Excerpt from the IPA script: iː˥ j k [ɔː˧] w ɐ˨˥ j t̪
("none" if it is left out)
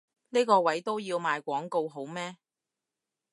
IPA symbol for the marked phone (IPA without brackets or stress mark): ɔː˧